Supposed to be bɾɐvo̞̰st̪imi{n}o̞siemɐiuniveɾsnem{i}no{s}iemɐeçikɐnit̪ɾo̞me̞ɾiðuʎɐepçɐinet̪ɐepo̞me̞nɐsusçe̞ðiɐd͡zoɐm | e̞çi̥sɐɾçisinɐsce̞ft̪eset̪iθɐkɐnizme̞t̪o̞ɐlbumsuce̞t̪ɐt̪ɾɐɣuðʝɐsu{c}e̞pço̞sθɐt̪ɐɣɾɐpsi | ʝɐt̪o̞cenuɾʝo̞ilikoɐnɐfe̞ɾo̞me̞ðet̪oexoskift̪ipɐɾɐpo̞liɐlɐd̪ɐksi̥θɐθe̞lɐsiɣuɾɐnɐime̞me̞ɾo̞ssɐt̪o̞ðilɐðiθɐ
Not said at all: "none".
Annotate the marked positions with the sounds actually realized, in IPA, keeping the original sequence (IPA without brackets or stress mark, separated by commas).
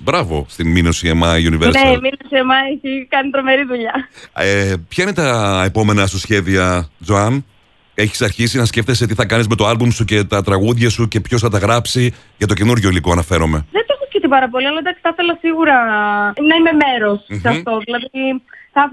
n, i, s, c